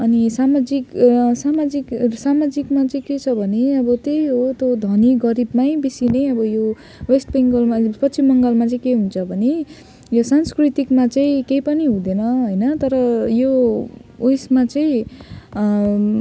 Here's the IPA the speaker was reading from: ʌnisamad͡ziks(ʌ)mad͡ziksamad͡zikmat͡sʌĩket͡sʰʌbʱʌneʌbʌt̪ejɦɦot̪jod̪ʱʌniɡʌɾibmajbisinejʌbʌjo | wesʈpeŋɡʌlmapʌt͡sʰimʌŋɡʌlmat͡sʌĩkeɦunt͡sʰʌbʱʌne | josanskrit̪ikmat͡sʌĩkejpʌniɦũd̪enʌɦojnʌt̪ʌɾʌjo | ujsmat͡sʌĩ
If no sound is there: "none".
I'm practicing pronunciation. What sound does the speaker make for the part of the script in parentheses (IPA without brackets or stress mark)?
a